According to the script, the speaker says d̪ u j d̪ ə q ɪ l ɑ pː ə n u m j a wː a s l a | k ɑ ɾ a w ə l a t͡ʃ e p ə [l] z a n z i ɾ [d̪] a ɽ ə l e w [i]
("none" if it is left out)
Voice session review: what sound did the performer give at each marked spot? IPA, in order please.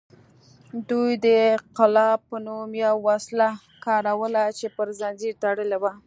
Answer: ɾ, t̪, a

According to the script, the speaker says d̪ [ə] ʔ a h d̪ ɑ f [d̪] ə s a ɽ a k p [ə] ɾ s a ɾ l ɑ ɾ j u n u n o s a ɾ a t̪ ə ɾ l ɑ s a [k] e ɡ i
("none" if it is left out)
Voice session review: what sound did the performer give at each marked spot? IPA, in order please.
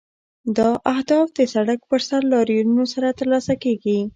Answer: ɑ, d̪, ə, k

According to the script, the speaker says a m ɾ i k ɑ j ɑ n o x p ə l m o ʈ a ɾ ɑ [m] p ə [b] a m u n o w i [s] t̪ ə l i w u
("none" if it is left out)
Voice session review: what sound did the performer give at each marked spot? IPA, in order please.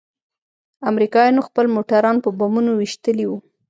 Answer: n, b, ʃ

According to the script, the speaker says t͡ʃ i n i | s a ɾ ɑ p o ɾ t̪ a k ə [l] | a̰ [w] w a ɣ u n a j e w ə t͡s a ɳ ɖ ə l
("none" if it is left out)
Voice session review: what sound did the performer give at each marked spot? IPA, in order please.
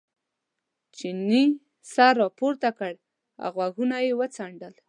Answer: ɽ, ɣ

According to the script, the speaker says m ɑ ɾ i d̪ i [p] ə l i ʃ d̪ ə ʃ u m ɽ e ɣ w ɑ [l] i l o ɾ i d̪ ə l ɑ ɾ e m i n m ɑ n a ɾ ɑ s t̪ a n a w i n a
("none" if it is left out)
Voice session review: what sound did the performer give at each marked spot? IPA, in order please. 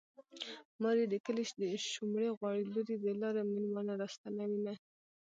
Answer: k, ɽ

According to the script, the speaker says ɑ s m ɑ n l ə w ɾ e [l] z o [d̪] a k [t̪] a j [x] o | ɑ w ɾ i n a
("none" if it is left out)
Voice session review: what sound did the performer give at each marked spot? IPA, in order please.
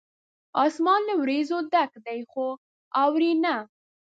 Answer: none, d̪, d̪, x

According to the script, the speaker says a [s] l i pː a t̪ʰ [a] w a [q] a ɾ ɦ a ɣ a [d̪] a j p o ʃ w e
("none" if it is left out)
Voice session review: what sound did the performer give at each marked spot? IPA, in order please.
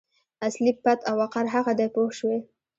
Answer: s, a, q, d̪

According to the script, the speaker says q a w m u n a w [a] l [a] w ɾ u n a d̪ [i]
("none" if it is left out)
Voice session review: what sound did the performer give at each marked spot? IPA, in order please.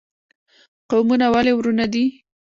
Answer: a, e, i

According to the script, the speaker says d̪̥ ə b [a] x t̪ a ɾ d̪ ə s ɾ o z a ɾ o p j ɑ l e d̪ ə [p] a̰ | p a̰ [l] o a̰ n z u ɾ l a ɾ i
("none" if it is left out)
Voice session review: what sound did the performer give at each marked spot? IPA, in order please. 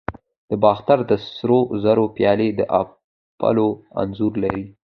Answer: ɑ, ʔ, l

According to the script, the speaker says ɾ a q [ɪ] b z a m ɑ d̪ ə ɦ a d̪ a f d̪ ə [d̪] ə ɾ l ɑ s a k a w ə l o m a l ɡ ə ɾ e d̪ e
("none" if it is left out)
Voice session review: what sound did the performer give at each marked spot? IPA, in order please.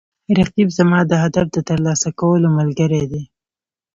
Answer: i, t̪

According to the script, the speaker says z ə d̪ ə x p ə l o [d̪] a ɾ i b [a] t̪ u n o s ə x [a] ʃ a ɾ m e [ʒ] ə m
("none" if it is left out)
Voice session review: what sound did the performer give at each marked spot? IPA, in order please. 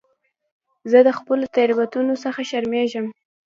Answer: t̪, a, a, ʒ

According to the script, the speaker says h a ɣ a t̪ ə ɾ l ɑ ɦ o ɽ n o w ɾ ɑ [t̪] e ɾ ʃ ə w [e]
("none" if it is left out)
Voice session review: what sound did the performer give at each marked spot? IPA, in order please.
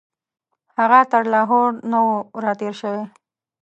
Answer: t̪, e

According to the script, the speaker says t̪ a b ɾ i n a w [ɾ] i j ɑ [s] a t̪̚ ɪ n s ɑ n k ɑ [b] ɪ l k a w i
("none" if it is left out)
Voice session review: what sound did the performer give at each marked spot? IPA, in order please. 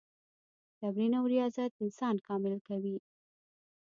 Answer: ɾ, z, m

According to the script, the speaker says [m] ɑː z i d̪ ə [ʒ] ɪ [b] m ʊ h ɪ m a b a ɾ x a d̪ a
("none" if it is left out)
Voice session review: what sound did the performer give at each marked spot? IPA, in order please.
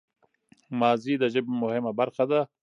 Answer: m, ʒ, b

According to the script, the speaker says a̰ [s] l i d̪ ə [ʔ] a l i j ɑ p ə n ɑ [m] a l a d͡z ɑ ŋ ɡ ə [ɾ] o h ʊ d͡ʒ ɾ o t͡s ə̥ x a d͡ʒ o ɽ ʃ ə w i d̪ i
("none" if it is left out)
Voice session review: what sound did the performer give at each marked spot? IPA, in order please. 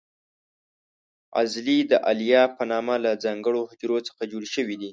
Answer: z, ʔ, m, ɽ

